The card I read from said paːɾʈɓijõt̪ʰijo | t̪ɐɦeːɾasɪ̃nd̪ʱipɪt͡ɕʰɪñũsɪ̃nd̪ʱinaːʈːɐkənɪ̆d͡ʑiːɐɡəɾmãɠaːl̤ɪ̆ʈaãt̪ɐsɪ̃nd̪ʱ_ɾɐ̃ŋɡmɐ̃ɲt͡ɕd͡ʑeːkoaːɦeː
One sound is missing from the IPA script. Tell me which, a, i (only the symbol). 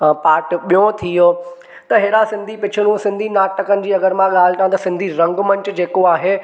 i